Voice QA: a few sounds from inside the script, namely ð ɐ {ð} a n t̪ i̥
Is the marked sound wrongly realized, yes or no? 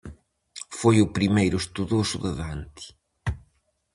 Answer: no